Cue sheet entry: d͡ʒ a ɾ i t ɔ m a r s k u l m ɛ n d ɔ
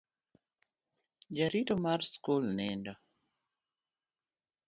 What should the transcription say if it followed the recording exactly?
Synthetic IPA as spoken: d͡ʒ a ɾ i t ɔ m a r s k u l n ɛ n d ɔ